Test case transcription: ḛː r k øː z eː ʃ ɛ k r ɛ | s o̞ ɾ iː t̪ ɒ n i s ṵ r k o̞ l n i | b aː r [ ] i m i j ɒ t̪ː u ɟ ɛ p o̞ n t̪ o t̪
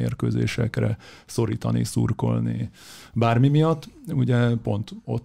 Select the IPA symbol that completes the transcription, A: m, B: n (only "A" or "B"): A